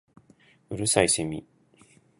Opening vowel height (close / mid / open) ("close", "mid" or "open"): close